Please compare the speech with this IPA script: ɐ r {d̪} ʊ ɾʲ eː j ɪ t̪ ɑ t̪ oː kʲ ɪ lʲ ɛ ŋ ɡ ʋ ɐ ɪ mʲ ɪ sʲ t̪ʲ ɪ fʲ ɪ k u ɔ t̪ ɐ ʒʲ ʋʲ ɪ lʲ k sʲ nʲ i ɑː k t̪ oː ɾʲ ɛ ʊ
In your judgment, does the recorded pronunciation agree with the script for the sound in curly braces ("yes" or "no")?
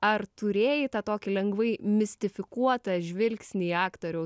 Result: no